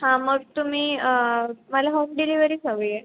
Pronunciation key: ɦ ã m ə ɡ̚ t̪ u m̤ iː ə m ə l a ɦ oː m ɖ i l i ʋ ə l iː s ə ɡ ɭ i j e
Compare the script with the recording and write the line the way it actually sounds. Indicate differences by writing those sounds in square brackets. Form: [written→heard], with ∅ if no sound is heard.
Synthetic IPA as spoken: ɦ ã m ə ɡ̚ t̪ u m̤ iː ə m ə l a ɦ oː m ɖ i l i ʋ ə [l→ɾ] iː s ə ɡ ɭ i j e